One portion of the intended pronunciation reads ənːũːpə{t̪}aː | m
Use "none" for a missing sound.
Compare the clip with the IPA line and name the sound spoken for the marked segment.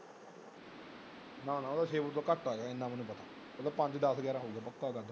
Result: t̪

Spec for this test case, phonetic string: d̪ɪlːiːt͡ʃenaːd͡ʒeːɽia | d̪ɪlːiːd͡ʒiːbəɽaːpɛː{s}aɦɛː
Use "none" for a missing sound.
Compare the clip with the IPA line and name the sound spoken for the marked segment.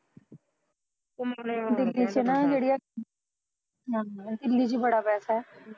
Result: s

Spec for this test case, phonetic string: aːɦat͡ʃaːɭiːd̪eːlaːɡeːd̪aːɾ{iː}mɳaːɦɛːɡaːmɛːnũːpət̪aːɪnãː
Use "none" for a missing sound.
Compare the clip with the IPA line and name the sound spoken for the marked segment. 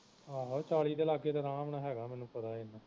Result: aː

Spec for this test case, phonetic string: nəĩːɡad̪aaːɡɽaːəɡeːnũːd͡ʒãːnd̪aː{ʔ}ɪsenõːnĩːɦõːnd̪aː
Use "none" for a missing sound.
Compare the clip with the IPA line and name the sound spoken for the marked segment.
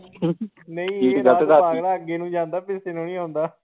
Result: p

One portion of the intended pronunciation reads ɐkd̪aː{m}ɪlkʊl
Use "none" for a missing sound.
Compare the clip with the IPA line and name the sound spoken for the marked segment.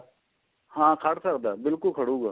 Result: b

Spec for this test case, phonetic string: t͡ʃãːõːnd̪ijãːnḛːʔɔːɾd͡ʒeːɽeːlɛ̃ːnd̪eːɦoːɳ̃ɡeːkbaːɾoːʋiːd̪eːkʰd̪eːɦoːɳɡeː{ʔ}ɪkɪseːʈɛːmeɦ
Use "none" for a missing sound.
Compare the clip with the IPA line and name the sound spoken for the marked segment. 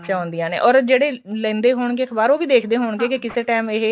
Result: k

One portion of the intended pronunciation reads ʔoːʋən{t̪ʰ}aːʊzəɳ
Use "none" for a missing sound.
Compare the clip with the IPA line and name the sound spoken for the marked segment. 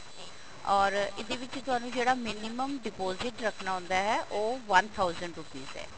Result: t̪ʰ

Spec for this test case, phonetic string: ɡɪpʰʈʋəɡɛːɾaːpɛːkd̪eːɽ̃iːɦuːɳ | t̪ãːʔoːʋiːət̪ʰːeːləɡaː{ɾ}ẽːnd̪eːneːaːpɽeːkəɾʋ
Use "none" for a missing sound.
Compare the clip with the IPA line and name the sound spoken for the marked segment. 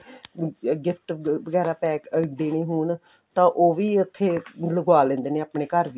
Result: l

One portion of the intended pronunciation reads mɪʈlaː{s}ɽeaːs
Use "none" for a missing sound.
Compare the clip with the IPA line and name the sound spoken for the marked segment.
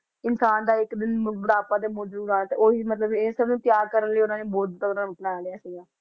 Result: none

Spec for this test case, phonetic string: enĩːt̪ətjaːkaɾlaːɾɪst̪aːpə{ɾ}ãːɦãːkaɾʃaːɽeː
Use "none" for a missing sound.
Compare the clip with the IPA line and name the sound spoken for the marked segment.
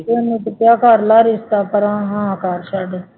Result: ɾ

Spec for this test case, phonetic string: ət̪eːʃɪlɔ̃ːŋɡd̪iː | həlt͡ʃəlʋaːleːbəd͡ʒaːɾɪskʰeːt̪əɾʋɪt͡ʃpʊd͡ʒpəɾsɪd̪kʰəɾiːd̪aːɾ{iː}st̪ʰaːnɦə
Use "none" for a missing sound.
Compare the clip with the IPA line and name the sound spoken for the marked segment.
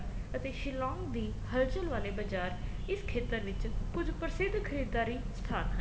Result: iː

